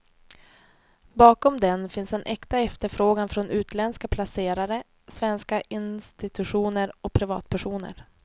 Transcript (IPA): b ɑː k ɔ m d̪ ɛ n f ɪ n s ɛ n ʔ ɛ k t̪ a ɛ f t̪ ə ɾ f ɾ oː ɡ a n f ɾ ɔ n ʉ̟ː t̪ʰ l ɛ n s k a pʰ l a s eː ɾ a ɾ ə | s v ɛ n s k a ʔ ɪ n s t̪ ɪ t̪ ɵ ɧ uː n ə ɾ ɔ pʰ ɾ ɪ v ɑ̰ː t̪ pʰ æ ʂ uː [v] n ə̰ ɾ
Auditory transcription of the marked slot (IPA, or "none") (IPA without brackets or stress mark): none